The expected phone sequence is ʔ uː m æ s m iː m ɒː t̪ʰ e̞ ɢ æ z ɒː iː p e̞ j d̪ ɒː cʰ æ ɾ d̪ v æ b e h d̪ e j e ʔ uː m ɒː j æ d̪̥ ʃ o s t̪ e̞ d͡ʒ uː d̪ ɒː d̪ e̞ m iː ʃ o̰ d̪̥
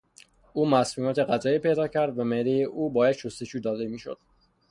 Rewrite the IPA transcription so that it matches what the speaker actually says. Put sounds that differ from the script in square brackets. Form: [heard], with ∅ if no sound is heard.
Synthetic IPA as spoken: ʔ uː m æ s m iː m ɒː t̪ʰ e̞ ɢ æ z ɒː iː p e̞ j d̪ ɒː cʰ æ ɾ d̪ v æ [m] e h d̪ e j e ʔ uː [b] ɒː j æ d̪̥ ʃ o s t̪ e̞ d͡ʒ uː d̪ ɒː d̪ e̞ m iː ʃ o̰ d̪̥